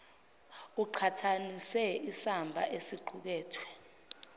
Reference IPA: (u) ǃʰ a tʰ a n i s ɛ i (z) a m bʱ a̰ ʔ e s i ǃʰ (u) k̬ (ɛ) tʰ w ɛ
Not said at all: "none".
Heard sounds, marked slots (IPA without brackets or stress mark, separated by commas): u, s, u, ɛː